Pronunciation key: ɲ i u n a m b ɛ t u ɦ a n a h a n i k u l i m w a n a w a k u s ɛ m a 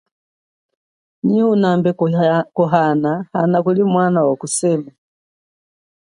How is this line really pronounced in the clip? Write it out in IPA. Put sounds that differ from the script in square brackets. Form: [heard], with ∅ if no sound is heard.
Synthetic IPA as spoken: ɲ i u n a m b ɛ [k] u ɦ a n a h a n [a] k u l i m w a n a w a k u s ɛ m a